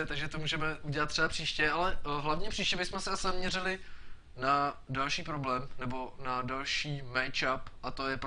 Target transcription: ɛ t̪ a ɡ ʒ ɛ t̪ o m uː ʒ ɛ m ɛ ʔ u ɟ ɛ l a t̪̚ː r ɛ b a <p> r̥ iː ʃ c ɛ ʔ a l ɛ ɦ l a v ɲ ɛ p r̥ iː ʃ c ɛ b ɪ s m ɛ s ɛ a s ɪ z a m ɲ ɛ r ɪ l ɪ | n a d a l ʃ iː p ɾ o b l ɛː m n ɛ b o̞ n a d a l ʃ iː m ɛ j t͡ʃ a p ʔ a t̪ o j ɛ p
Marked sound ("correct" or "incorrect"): correct